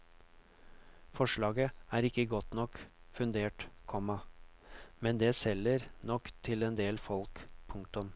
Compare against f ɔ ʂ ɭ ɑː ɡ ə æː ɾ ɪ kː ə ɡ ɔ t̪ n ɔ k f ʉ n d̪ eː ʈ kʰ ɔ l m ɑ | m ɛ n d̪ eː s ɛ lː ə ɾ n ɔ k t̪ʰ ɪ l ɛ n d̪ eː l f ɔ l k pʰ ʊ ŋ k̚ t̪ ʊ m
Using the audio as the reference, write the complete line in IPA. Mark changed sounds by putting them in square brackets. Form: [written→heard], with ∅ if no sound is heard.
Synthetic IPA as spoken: f ɔ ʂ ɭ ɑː ɡ ə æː ɾ ɪ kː ə ɡ ɔ t̪ n ɔ k f ʉ n d̪ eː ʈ kʰ ɔ [l→∅] m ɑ | m ɛ n d̪ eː s ɛ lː ə ɾ n ɔ k t̪ʰ ɪ l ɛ n d̪ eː l f ɔ l k pʰ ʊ ŋ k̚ t̪ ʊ m